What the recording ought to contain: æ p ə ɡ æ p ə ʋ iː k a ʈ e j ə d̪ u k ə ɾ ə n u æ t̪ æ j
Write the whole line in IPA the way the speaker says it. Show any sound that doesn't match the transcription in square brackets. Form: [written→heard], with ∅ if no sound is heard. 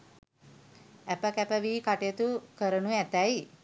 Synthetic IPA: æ p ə [ɡ→k] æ p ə ʋ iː k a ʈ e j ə [d̪→t̪] u k ə ɾ ə n u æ t̪ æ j